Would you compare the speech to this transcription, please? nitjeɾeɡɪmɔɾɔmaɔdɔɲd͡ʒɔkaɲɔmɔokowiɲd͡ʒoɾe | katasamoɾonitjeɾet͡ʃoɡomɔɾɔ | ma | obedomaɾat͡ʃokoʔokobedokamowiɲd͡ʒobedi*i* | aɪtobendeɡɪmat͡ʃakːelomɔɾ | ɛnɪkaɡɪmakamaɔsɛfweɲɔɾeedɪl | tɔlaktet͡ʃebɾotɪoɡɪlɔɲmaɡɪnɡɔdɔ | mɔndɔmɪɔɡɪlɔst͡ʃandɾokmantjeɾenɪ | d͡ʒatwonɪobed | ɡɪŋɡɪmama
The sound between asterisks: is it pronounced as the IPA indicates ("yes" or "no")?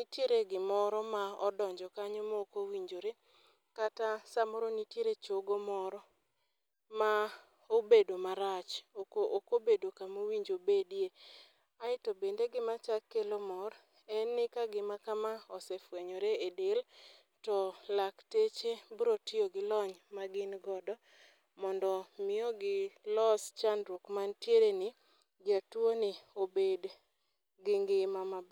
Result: no